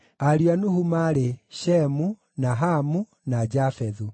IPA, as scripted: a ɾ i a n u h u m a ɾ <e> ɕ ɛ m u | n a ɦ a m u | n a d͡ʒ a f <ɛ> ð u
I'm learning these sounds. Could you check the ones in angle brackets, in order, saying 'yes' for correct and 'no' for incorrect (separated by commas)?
yes, yes